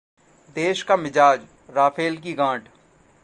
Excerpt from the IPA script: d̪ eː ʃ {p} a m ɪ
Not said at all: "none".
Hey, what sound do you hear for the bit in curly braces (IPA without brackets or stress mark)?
k